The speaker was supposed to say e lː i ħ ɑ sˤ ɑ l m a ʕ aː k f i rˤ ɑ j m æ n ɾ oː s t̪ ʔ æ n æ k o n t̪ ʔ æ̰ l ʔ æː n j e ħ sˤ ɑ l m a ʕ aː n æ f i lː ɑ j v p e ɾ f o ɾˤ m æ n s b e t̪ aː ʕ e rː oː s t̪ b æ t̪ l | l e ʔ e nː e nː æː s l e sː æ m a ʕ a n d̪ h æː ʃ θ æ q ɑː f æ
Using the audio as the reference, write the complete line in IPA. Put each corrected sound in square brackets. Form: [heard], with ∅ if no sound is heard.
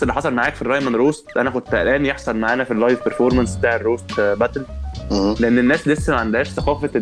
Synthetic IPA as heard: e lː i ħ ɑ sˤ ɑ l m a ʕ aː k f i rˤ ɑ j m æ n ɾ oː s t̪ ʔ æ n æ k o n t̪ ʔ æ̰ l ʔ æː n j e ħ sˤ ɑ l m a ʕ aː n æ f i lː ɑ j v p e ɾ f o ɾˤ m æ n s b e t̪ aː ʕ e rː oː s t̪ b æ t̪ l | l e ʔ e nː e nː æː s l e sː æ m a ʕ a n d̪ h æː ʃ θ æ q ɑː f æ